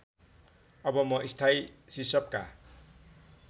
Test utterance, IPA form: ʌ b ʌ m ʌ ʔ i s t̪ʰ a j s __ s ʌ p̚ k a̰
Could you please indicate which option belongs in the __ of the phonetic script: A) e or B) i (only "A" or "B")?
B